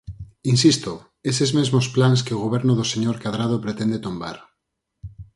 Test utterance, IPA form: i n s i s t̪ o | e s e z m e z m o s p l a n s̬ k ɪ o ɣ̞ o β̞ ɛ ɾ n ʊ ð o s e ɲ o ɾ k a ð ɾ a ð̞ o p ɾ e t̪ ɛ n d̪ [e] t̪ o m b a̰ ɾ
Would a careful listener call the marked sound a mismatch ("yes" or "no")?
no